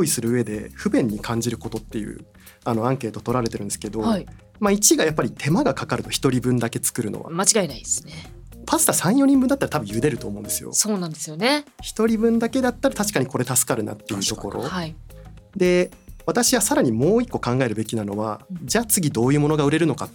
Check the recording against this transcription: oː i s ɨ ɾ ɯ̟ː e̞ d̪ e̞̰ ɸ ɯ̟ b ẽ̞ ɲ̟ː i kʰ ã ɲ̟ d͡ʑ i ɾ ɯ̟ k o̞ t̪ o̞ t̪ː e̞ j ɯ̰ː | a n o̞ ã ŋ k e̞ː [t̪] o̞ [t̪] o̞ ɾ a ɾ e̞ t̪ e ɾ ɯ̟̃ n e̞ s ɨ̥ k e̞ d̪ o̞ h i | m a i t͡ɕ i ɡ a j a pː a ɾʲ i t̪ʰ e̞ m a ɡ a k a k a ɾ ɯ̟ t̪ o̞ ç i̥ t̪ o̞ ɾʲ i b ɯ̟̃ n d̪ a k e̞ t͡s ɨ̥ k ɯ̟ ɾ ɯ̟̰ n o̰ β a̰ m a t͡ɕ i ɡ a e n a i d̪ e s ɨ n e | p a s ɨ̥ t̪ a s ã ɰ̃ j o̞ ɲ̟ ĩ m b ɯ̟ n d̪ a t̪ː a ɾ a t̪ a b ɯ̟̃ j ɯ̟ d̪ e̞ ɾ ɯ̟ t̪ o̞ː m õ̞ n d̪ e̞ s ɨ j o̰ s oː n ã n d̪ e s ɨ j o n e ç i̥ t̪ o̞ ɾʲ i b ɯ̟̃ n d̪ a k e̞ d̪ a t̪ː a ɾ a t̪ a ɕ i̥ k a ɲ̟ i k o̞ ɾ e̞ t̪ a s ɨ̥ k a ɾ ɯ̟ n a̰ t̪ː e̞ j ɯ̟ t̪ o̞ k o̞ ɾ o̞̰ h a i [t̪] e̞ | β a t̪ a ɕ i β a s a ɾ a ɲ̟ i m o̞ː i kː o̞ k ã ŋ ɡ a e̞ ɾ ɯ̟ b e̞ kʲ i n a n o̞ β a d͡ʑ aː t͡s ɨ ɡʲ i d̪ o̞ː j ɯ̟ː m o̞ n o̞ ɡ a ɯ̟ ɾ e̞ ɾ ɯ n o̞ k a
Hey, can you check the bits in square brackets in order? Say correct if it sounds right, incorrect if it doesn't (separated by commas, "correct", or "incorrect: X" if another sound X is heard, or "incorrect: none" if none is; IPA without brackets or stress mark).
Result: correct, correct, incorrect: d̪